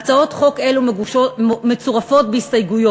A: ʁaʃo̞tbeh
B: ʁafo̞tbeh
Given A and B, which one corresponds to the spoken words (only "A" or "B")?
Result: B